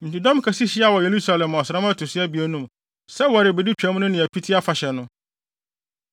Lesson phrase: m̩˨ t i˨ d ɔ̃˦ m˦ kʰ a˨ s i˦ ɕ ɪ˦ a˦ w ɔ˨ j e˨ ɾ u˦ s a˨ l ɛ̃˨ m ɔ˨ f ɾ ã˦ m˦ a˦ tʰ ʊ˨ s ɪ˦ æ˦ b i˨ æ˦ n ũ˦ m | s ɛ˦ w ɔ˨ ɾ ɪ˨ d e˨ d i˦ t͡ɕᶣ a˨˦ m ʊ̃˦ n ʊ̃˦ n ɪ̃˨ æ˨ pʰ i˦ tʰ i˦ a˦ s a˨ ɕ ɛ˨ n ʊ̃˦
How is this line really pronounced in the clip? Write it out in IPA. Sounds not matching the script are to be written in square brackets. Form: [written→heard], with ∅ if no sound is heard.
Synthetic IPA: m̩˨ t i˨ d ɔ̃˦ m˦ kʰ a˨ s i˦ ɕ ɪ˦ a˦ w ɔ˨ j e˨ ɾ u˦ s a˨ l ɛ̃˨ m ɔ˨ [f→s] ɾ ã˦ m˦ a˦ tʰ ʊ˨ s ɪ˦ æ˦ b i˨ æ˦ n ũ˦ m | s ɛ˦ w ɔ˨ ɾ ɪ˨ [d→b] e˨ d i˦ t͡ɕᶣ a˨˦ m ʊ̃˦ n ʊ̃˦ n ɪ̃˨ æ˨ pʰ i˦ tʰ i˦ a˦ [s→f] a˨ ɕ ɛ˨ n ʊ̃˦